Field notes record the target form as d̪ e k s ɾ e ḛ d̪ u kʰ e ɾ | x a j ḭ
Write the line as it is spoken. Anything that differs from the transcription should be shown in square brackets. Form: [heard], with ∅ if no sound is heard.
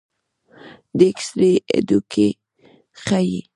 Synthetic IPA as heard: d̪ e k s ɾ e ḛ d̪ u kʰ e [∅] | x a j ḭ